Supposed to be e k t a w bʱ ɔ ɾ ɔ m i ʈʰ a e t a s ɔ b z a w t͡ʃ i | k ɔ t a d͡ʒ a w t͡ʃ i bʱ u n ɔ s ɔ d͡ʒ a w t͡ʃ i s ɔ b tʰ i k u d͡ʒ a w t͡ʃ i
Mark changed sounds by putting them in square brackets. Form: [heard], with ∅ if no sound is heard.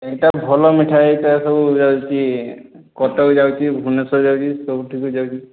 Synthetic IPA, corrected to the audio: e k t a [∅] bʱ ɔ [l] ɔ m i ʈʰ a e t a s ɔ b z a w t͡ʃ i | k ɔ t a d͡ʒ a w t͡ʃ i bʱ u n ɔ s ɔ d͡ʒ a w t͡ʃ i s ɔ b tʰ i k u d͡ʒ a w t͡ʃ i